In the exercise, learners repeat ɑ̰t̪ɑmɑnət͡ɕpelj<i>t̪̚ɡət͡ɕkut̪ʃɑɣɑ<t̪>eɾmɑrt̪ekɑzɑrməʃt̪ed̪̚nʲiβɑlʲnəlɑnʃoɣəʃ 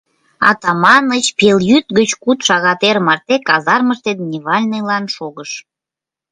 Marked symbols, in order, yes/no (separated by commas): no, yes